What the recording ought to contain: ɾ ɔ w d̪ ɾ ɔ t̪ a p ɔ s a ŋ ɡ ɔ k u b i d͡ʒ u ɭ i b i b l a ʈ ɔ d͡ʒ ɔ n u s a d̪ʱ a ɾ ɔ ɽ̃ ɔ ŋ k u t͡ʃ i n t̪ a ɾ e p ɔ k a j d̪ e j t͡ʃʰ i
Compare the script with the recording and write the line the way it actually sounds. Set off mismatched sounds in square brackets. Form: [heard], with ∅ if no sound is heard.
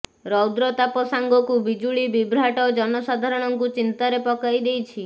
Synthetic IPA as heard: ɾ ɔ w d̪ ɾ ɔ t̪ a p ɔ s a ŋ ɡ ɔ k u b i d͡ʒ u ɭ i b i b [ɾ] a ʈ ɔ d͡ʒ ɔ n [ɔ] s a d̪ʱ a ɾ ɔ ɽ̃ ɔ ŋ k u t͡ʃ i n t̪ a ɾ e p ɔ k a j d̪ e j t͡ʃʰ i